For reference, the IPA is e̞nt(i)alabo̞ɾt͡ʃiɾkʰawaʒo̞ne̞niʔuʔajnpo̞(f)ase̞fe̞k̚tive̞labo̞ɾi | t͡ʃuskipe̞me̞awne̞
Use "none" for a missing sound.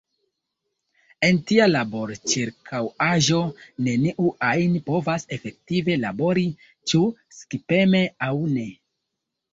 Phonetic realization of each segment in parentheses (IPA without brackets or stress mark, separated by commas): i, v